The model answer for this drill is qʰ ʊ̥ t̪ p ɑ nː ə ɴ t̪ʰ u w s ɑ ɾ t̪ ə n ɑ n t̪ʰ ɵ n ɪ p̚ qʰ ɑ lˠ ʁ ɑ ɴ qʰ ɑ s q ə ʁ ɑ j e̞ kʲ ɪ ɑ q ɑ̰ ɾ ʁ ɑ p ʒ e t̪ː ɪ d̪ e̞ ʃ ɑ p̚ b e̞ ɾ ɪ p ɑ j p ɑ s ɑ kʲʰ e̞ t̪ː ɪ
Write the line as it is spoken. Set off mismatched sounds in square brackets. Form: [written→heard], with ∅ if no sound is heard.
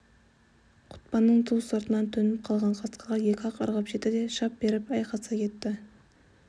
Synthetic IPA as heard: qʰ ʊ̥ t̪ p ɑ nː ə ɴ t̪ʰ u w s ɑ ɾ t̪ ə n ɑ n t̪ʰ ɵ n ɪ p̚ qʰ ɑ lˠ ʁ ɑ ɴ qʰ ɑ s q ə ʁ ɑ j e̞ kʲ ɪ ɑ q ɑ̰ ɾ ʁ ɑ p ʒ e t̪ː ɪ d̪ e̞ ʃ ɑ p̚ b e̞ ɾ ɪ p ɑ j [p→q] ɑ s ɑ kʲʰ e̞ t̪ː ɪ